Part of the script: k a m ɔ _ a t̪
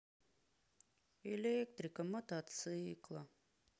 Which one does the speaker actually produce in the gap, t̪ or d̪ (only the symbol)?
t̪